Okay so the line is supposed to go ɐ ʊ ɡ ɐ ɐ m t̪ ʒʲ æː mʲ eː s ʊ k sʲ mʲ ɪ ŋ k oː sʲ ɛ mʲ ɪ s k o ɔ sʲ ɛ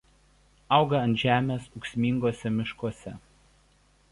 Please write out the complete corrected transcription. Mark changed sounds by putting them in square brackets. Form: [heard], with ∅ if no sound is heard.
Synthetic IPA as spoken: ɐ ʊ ɡ ɐ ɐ [n] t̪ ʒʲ æː mʲ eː s ʊ k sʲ mʲ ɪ ŋ [ɡ] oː sʲ ɛ mʲ ɪ [ʃ] k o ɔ sʲ ɛ